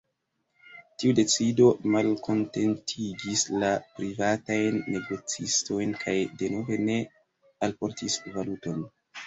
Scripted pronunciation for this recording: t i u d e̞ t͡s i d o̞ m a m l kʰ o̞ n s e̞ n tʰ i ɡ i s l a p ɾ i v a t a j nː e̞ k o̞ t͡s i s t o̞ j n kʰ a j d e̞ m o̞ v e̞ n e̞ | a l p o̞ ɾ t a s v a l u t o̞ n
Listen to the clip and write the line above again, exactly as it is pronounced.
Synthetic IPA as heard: t i u d e̞ t͡s i d o̞ m a l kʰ o̞ n t e̞ n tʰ i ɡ i s l a p ɾ i v a t a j nː e̞ ɡ o̞ t͡s i s t o̞ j n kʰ a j d e̞ n o̞ v e̞ n e̞ | a l p o̞ ɾ t i s v a l u t o̞ n

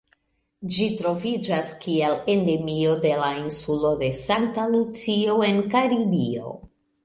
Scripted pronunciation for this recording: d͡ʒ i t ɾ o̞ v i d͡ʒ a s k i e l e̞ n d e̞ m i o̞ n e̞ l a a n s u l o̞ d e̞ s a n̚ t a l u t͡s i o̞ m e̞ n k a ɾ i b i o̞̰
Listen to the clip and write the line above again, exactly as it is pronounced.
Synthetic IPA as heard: d͡ʒ i t ɾ o̞ v i d͡ʒ a s k i e l e̞ n d e̞ m i o̞ d e̞ l a i n s u l o̞ d e̞ s a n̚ t a l u t͡s i o̞ e̞ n k a ɾ i b i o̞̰

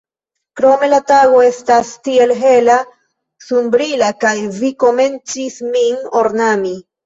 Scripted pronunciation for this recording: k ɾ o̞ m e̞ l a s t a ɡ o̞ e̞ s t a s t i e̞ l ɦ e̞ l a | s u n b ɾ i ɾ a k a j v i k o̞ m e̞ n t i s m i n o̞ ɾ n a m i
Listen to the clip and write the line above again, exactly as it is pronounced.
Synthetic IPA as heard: k ɾ o̞ m e̞ l a t a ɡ o̞ e̞ s t a s t i e̞ l ɦ e̞ l a | s u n b ɾ i l a k a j v i k o̞ m e̞ n t͡s i s m i n o̞ ɾ n a m i

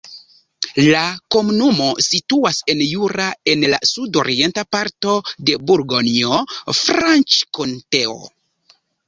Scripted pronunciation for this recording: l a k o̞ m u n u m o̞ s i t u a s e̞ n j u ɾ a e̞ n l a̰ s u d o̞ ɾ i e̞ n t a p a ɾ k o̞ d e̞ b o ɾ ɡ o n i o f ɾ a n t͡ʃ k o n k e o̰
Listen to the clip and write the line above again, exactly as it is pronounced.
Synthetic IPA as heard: l a k o̞ m u n u m o̞ s i t u a s e̞ n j u ɾ a e̞ n l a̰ s u d o̞ ɾ i e̞ n t a p a ɾ t o̞ d e̞ b u ɾ ɡ o n i o f ɾ a n t͡ʃ k o n t e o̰

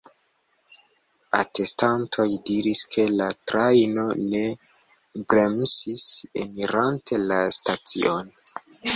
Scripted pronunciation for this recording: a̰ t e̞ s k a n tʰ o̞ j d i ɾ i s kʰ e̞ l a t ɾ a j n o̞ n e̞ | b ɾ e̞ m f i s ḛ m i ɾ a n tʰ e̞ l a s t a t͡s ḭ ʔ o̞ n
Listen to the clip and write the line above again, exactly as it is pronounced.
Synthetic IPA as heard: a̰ t e̞ s t a n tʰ o̞ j d i ɾ i s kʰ e̞ l a t ɾ a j n o̞ n e̞ | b ɾ e̞ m s i s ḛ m i ɾ a n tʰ e̞ l a s t a t͡s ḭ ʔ o̞ n

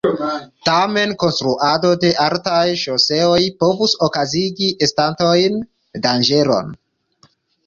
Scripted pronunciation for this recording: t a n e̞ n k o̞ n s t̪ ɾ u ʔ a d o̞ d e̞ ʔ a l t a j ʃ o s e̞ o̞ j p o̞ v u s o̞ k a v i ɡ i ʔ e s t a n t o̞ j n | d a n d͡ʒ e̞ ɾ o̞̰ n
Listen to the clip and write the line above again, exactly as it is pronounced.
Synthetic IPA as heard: t a m e̞ n k o̞ n s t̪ ɾ u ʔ a d o̞ d e̞ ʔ a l t a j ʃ o s e̞ o̞ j p o̞ v u s o̞ k a z i ɡ i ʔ e s t a n t o̞ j n | d a n d͡ʒ e̞ ɾ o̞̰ n

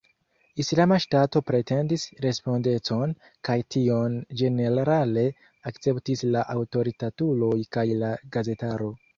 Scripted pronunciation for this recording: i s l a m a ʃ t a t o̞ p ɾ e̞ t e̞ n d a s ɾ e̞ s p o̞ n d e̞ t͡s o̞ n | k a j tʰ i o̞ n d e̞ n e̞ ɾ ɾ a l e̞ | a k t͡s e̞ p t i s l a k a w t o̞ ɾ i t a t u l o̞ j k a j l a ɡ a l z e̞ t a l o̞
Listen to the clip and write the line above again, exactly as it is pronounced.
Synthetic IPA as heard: i s l a m a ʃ t a t o̞ p ɾ e̞ t e̞ n d i s ɾ e̞ s p o̞ n d e̞ t͡s o̞ n | k a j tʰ i o̞ n d͡ʒ e̞ n e̞ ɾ ɾ a l e̞ | a k t͡s e̞ p t i s l a ʔ a w t o̞ ɾ i t a t u l o̞ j k a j l a ɡ a z e̞ t a ɾ o̞

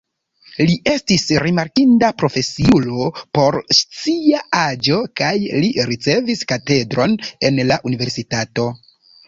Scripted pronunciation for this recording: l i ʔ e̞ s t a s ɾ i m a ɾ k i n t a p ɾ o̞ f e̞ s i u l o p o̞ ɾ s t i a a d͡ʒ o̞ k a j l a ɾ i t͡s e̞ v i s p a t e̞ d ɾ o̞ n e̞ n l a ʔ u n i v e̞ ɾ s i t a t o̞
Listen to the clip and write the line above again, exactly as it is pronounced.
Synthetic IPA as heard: l i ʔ e̞ s t i s ɾ i m a ɾ k i n d a p ɾ o̞ f e̞ s i u l o p o̞ ɾ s t͡s i a a d͡ʒ o̞ k a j l i ɾ i t͡s e̞ v i s k a t e̞ d ɾ o̞ n e̞ n l a ʔ u n i v e̞ ɾ s i t a t o̞

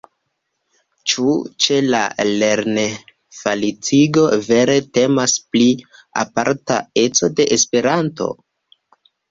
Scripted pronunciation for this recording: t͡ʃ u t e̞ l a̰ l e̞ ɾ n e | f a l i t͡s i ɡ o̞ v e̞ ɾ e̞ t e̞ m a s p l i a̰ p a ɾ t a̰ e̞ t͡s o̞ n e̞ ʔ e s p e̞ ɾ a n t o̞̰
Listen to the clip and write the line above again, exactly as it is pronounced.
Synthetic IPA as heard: t͡ʃ u t͡ʃ e̞ l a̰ l e̞ ɾ n e | f a l i t͡s i ɡ o̞ v e̞ ɾ e̞ t e̞ m a s p l i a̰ p a ɾ t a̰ e̞ t͡s o̞ d e̞ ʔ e s p e̞ ɾ a n t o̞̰

